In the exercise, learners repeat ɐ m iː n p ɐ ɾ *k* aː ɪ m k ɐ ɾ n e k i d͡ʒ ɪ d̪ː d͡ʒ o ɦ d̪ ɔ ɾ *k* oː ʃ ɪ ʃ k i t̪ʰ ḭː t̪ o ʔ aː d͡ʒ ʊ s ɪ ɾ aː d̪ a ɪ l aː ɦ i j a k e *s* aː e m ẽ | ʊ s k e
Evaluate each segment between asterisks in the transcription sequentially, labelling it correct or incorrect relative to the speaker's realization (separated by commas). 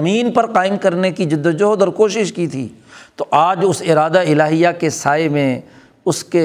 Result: incorrect, correct, correct